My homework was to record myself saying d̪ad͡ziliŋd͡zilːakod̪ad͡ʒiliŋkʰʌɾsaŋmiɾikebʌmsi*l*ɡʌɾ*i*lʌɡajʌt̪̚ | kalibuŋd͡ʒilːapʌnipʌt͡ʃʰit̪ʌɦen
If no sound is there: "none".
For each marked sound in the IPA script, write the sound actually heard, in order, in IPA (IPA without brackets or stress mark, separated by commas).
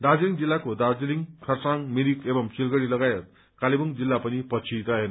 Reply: l, i